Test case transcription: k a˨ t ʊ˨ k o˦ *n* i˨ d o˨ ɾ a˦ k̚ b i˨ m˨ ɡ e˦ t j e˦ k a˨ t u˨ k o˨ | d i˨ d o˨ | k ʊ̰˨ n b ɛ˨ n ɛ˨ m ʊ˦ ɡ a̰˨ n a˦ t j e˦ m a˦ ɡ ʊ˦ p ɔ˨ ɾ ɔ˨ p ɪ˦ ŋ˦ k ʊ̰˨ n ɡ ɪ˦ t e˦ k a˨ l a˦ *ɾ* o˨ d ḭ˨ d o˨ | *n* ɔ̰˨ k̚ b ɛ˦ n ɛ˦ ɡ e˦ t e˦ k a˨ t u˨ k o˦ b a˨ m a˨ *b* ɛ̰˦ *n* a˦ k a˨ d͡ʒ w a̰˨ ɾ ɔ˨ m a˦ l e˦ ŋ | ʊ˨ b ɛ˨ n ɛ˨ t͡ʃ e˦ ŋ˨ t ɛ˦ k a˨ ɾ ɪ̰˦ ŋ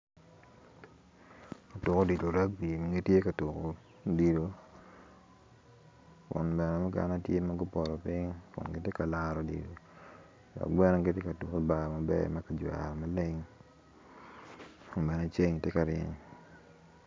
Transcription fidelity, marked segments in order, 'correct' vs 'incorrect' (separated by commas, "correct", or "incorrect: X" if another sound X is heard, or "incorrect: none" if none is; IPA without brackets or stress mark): incorrect: d, correct, incorrect: d, correct, incorrect: m